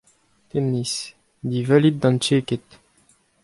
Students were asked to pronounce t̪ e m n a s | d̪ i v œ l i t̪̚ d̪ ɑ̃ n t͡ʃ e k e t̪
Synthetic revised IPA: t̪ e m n i s | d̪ i v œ l i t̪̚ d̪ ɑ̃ n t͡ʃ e k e t̪